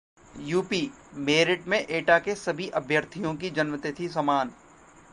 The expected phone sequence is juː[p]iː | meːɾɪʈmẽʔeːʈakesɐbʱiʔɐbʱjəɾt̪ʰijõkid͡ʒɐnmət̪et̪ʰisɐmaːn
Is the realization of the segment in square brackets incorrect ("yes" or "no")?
no